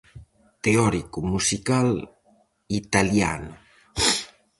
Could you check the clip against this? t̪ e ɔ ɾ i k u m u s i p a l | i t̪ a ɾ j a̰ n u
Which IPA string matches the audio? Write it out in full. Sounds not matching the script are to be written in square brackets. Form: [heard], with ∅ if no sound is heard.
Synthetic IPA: t̪ e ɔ ɾ i k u m u s i [k] a l | i t̪ a [l] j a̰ n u